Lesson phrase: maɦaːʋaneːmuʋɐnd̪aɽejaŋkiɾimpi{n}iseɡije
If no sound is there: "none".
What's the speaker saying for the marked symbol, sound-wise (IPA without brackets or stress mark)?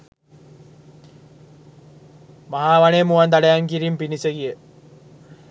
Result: n